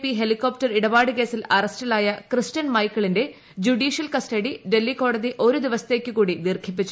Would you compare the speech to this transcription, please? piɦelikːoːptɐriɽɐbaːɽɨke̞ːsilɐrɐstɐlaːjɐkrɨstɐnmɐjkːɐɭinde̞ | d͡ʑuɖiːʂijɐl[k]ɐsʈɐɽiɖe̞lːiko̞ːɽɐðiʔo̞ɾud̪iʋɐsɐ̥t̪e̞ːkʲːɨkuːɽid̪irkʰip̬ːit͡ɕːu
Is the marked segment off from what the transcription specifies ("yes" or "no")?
no